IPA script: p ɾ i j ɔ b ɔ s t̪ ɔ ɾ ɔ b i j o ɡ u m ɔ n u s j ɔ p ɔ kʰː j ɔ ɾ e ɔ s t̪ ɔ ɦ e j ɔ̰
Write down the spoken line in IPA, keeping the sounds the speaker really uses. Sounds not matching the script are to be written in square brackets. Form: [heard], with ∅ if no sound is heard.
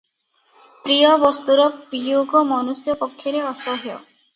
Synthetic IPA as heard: p ɾ i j ɔ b ɔ s t̪ [u] ɾ ɔ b i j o ɡ [ɔ] m ɔ n u s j ɔ p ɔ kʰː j ɔ ɾ e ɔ s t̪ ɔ ɦ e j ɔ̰